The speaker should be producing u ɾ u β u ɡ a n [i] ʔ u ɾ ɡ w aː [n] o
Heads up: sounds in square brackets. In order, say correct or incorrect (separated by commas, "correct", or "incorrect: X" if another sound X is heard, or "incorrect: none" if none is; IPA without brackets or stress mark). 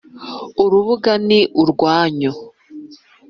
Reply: correct, incorrect: ɲ